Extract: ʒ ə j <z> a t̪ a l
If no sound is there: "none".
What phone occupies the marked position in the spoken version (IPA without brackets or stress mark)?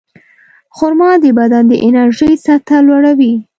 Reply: s